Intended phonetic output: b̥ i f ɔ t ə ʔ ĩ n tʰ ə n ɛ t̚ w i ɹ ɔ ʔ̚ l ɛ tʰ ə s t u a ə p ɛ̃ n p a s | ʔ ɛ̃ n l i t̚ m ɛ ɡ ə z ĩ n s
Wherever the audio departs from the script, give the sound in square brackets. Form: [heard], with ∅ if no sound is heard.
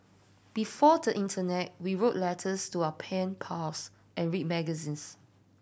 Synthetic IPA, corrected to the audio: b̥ i f ɔ [d] ə ʔ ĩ n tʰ ə n ɛ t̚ w i ɹ [o] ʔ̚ l ɛ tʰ ə s t u a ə [pʰ] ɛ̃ n [pʰ] a s | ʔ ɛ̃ n [ɹ] i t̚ m ɛ ɡ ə z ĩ n s

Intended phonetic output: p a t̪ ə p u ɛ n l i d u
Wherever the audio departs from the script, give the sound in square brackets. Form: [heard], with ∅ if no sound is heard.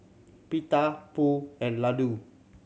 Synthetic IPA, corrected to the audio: p [i] t̪ [a] p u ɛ n l [a] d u

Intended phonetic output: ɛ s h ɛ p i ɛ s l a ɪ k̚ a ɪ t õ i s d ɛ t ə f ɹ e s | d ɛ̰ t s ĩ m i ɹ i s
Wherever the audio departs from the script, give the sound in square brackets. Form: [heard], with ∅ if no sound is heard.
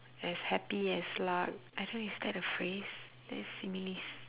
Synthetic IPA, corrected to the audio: ɛ s h ɛ p i ɛ s l a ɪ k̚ a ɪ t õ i s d ɛ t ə f ɹ e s | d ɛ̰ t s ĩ m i [l] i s

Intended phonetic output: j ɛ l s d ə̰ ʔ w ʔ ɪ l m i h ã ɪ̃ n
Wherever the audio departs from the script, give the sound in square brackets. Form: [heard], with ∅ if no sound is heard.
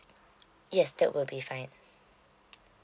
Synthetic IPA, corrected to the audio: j ɛ [∅] s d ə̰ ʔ w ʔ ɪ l [b] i [f] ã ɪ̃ n

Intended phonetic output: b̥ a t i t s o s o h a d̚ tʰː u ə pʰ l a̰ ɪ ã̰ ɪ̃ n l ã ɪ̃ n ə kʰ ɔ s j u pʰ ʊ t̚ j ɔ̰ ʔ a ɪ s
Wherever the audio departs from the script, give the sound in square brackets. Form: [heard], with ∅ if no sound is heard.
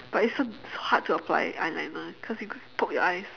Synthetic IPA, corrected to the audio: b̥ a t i t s o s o h a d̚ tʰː u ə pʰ l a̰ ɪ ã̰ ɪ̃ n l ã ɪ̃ n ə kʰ ɔ s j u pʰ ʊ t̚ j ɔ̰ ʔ a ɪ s

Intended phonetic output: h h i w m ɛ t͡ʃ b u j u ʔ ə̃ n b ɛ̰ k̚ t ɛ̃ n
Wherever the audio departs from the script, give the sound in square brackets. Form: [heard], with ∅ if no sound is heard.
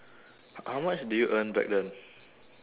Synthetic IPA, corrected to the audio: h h [a] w m [a] t͡ʃ [d] u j u ʔ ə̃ n b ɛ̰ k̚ [d] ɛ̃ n

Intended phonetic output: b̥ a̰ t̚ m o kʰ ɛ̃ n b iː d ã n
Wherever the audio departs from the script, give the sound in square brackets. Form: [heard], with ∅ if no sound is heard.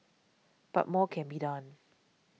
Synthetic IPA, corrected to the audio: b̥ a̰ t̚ m [ɔ] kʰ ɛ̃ n b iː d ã n

